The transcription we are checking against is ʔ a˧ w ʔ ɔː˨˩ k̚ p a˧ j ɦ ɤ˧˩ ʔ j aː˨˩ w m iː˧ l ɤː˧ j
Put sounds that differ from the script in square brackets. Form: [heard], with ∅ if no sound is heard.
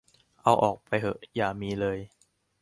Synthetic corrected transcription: ʔ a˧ w ʔ ɔː˨˩ k̚ p a˧ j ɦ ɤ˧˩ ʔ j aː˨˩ [∅] m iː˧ l ɤː˧ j